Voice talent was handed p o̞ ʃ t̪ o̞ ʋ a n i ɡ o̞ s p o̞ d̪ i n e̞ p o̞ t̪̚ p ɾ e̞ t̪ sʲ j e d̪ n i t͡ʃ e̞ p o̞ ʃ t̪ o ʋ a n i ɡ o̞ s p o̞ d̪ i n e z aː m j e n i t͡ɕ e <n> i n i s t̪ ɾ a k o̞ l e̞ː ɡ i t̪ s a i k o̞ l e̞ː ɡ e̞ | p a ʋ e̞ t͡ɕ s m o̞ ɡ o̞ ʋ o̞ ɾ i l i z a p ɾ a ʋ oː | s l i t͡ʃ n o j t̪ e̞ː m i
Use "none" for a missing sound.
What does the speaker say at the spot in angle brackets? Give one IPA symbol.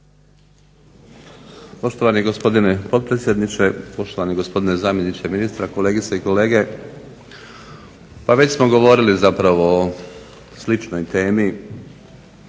m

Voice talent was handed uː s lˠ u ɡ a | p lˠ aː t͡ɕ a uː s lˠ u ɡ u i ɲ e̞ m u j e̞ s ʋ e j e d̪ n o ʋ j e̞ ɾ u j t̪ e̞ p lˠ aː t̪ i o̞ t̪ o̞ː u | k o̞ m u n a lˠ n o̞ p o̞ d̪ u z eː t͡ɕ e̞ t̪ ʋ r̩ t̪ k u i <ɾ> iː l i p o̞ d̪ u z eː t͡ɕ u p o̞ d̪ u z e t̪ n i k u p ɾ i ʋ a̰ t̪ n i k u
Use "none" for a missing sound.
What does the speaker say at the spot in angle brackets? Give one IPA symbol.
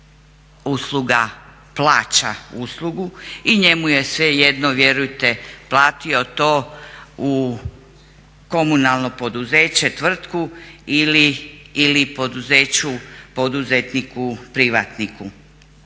l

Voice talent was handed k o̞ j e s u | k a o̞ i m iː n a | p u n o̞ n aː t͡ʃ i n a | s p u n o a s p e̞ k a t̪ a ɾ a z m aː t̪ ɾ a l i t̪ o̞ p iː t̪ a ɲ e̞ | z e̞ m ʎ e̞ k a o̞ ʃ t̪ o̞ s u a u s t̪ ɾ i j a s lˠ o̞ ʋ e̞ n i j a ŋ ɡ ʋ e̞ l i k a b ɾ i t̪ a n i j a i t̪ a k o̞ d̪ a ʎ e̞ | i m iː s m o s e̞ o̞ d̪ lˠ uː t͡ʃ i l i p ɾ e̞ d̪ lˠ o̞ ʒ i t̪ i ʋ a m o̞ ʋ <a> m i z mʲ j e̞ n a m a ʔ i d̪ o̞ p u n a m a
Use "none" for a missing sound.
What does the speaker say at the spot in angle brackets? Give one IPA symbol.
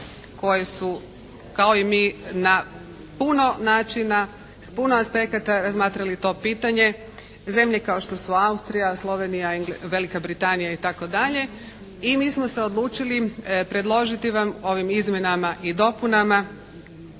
i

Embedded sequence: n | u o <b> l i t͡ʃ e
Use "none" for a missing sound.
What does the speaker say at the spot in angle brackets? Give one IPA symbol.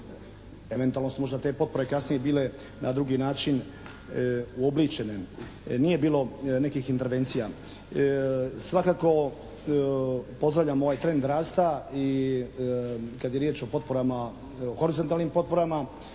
b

